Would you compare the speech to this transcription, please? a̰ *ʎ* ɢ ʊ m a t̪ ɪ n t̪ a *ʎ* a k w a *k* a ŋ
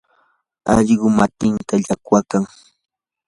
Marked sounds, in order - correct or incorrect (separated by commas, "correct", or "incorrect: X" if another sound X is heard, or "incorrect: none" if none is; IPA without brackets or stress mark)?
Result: correct, correct, correct